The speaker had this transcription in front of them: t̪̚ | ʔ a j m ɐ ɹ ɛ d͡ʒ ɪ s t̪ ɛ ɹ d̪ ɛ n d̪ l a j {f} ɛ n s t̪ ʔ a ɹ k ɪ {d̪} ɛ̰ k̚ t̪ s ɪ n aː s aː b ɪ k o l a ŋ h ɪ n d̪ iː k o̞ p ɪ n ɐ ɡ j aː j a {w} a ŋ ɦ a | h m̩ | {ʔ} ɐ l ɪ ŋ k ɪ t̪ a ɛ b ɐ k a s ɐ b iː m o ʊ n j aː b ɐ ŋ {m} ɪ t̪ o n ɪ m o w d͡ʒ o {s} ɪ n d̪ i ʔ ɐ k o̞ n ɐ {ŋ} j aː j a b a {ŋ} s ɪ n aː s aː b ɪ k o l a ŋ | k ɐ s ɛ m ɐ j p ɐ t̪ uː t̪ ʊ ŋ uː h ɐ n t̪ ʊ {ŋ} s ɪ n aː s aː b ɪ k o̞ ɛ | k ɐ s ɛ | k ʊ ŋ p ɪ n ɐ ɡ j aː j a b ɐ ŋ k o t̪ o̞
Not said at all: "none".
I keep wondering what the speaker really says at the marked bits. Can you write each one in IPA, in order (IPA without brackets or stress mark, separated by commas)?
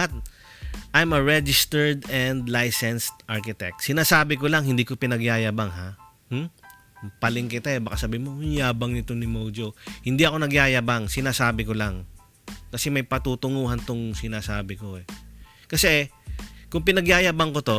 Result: s, t̪, b, p, n, h, ɡ, ŋ, ŋ